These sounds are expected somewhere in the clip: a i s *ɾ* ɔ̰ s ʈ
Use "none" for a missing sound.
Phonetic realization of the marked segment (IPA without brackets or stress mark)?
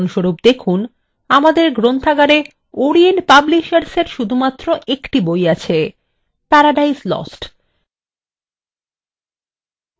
l